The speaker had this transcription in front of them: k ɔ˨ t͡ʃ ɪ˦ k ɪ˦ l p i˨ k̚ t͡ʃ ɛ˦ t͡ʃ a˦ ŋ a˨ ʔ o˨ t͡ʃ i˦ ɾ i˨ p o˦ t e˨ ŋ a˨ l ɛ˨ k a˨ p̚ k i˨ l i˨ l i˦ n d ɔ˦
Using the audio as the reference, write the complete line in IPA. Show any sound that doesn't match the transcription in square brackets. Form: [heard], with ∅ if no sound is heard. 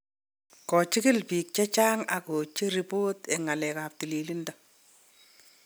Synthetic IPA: k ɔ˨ t͡ʃ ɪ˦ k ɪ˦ l p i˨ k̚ t͡ʃ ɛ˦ t͡ʃ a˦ ŋ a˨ [k] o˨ t͡ʃ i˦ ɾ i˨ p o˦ t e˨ ŋ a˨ l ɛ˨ k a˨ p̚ [t] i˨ l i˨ l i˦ n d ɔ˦